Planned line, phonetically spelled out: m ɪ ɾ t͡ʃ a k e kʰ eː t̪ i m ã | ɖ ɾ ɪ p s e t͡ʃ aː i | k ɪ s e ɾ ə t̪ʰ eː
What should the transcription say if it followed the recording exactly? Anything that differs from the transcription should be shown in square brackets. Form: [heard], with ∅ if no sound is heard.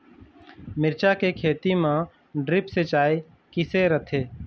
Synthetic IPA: m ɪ ɾ t͡ʃ a k e kʰ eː t̪ i m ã | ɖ ɾ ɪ p s e t͡ʃ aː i | k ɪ s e ɾ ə t̪ʰ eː